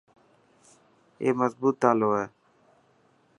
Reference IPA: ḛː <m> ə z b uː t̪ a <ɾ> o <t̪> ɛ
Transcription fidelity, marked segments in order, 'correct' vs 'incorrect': correct, incorrect: l, incorrect: none

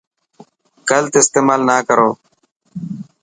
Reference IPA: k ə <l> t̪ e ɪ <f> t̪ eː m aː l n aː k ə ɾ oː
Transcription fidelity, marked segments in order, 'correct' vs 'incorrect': correct, incorrect: s

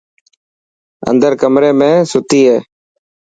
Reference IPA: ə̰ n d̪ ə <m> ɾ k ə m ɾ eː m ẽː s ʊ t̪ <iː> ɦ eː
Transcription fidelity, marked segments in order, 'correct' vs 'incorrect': incorrect: none, correct

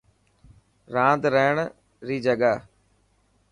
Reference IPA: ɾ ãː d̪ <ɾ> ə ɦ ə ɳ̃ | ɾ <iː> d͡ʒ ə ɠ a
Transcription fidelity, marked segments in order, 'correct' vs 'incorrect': correct, correct

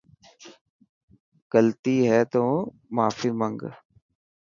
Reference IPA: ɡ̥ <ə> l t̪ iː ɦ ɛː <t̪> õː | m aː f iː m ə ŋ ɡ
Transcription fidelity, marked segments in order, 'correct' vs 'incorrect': correct, correct

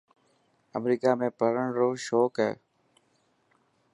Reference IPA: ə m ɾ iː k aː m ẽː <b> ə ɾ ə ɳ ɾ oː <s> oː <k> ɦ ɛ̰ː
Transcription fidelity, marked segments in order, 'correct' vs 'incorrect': incorrect: p, incorrect: ʃ, correct

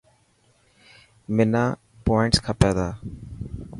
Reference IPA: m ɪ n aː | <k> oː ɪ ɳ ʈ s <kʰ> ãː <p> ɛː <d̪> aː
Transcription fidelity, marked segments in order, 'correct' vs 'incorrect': incorrect: p, correct, correct, correct

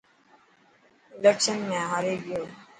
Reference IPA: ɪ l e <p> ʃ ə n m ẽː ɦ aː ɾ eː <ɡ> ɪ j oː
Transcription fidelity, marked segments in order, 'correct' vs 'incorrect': incorrect: k, correct

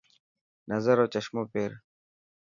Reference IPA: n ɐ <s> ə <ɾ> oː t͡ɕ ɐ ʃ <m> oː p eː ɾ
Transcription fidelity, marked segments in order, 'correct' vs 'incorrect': incorrect: z, correct, correct

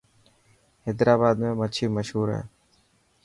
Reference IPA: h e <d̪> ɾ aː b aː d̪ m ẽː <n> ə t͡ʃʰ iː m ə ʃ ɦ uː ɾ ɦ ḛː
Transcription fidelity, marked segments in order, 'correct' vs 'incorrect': correct, incorrect: m

